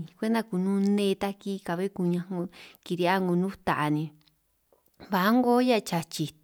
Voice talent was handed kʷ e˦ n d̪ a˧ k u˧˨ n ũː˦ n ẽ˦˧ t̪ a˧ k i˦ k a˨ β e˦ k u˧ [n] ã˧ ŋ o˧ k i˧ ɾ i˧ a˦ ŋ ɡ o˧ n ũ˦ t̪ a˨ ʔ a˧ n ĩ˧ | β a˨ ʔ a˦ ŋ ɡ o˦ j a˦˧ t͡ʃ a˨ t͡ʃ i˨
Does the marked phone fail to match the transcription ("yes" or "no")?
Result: yes